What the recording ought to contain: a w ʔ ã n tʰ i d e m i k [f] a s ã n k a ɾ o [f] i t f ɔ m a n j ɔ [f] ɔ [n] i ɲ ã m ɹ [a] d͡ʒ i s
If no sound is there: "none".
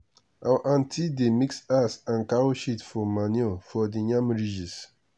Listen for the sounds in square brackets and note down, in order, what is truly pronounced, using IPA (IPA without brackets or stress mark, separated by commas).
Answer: s, ʃ, f, d, i